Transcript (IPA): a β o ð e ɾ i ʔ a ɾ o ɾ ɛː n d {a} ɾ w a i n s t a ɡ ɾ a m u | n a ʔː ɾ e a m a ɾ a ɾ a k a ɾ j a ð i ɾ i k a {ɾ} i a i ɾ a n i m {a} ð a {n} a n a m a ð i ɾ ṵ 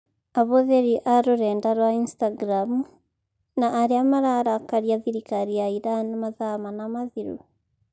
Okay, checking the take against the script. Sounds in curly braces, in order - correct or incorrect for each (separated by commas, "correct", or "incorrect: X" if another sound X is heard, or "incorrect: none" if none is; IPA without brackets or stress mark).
correct, correct, correct, incorrect: m